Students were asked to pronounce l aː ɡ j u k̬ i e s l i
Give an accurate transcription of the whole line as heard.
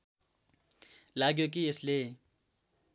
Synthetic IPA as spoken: l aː ɡ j o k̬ i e s l e